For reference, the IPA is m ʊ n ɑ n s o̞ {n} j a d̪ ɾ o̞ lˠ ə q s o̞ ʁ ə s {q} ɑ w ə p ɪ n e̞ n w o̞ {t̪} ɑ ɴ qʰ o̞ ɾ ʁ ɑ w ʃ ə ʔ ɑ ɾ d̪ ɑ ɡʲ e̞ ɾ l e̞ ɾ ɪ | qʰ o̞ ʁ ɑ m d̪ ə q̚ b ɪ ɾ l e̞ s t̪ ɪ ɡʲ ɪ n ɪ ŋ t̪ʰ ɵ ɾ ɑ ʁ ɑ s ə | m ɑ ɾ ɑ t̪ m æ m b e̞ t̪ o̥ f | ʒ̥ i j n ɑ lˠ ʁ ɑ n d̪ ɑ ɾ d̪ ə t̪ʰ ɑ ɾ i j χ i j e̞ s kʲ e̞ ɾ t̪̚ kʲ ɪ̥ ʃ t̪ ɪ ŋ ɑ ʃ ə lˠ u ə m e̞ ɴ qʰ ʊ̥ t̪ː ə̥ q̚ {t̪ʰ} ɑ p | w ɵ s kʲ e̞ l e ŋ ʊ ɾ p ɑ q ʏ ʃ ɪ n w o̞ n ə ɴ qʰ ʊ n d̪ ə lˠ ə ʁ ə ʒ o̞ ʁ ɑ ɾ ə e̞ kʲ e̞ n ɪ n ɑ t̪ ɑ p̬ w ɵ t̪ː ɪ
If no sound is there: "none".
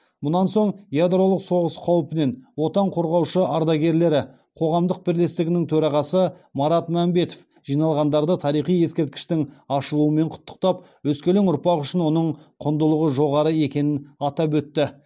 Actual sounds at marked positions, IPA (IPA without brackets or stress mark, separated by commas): ɴ, qʰ, t̪, t̪